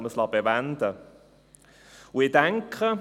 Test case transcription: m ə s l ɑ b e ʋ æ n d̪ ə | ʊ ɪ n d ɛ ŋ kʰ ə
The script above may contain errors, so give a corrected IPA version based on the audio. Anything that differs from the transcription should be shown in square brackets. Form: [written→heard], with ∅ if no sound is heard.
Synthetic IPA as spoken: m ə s l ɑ b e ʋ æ n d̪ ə | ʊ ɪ [n→∅] d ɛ ŋ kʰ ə